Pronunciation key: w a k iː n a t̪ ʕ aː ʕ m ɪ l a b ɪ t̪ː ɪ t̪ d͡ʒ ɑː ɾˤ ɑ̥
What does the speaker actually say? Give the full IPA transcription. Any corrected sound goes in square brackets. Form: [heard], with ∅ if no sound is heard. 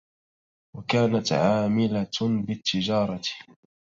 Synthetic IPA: w a k [aː] n a t̪ ʕ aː [∅] m ɪ l a b ɪ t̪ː ɪ [∅] d͡ʒ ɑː ɾˤ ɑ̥

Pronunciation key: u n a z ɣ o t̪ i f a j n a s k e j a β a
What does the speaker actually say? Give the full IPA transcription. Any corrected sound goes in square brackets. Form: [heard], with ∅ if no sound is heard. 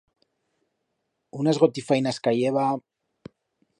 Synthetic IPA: u n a z ɣ o t̪ i f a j n a s k [a] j [e] β a

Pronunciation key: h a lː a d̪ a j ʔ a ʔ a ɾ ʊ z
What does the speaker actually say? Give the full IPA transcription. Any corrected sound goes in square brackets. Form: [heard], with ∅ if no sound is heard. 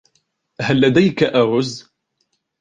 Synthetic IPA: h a lː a d̪ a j [k] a ʔ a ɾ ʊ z

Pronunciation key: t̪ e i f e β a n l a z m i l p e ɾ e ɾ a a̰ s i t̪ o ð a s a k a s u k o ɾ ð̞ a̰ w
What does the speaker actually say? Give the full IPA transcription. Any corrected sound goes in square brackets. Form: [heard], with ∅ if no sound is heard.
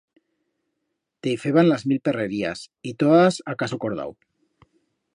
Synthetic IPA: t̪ e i f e β a n l a z m i l p e [r] e ɾ [i] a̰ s i t̪ o ð a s a k a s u k o ɾ ð̞ a̰ w

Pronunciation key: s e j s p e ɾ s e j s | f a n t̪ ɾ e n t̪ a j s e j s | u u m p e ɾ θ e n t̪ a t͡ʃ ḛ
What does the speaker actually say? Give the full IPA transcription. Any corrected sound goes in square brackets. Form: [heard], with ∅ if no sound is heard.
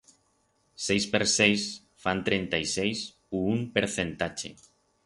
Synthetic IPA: s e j s p e ɾ s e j s | f a n t̪ ɾ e n t̪ a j s e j s | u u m p e ɾ θ e n t̪ a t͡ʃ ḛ

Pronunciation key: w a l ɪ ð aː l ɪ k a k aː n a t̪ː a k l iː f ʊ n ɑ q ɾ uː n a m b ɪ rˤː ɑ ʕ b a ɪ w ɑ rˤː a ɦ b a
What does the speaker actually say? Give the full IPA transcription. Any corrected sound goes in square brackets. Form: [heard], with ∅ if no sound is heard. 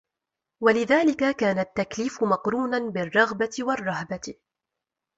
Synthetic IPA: w a l ɪ ð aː l ɪ k a k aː n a t̪ː a k l iː f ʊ [m] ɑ q ɾ uː n a [n] b ɪ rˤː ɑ [ɣ] b a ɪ w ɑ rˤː [ɑ] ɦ b a

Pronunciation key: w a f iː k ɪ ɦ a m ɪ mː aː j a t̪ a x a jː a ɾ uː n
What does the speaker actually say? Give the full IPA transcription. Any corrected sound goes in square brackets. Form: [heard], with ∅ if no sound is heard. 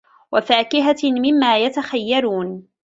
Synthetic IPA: w a f [aː] k ɪ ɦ a m ɪ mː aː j a t̪ a x a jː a ɾ uː n

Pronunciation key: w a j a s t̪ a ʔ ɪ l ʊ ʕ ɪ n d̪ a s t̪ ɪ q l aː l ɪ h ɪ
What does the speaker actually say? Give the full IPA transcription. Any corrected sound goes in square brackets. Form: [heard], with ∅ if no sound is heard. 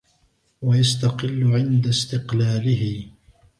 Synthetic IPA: w a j a s t̪ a [q] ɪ [lː] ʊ ʕ ɪ n d̪ a s t̪ ɪ q l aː l ɪ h ɪ

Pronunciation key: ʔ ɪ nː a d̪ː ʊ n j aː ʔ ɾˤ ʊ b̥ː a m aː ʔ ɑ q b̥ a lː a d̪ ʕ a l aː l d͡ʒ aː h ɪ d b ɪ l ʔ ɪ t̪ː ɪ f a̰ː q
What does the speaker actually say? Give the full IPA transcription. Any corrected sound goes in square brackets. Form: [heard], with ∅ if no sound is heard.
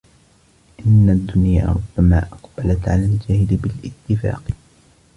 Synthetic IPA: ʔ ɪ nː a d̪ː ʊ n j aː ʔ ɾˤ ʊ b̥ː a m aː ʔ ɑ q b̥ a [l] a [t̪] ʕ a l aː l d͡ʒ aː h ɪ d b ɪ l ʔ ɪ t̪ː ɪ f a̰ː q

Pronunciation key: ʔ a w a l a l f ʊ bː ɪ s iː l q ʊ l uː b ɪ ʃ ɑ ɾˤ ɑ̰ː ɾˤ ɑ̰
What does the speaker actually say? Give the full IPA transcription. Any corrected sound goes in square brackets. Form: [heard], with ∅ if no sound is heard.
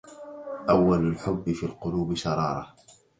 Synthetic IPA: ʔ a [wː] a l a l [ħ] ʊ bː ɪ [f] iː l q ʊ l uː b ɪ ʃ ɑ ɾˤ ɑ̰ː ɾˤ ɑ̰

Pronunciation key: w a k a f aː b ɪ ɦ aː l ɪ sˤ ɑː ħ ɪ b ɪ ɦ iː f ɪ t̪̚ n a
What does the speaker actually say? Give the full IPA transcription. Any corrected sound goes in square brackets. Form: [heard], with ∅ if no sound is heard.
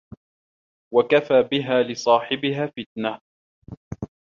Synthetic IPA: w a k a f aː b ɪ ɦ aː l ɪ sˤ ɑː ħ ɪ b ɪ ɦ [aː] f ɪ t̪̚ n a

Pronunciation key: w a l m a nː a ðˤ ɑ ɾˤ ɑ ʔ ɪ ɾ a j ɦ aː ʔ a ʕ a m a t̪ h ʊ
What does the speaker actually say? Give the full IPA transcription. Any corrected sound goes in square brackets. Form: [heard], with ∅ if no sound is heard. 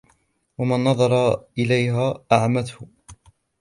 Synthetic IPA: w a [∅] m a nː [ɑ] ðˤ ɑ ɾˤ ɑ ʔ ɪ [l] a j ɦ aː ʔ a ʕ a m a t̪ h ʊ

